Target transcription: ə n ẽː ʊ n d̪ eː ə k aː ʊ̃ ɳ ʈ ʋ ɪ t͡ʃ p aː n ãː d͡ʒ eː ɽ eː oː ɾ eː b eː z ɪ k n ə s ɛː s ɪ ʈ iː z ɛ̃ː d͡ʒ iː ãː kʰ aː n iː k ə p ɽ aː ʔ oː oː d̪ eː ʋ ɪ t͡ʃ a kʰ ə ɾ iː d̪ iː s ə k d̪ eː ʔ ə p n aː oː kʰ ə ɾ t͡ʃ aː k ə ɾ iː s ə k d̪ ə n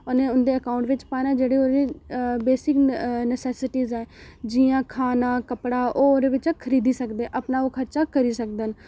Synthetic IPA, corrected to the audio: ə n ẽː ʊ n d̪ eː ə k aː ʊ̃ ɳ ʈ ʋ ɪ t͡ʃ p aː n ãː d͡ʒ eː ɽ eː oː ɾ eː b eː s ɪ k n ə s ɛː s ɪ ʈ iː z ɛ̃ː d͡ʒ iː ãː kʰ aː n aː k ə p ɽ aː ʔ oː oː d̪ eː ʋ ɪ t͡ʃ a kʰ ə ɾ iː d̪ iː s ə k d̪ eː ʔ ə p n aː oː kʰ ə ɾ t͡ʃ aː k ə ɾ iː s ə k d̪ ə n

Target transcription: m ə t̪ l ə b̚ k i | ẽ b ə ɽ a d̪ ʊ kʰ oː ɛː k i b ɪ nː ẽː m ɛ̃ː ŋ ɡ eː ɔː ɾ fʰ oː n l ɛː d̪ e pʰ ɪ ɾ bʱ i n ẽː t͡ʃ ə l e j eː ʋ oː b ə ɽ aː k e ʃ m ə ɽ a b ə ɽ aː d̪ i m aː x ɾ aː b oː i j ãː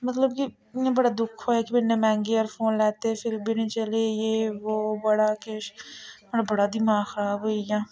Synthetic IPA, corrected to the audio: m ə t̪ l ə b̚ k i | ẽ b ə ɽ a d̪ ʊ kʰ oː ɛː k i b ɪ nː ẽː m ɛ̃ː ŋ ɡ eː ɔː ɾ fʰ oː n l ɛː t̪ e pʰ ɪ ɾ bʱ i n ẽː t͡ʃ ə l e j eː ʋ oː b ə ɽ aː k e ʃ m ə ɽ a b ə ɽ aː d̪ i m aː x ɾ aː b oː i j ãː

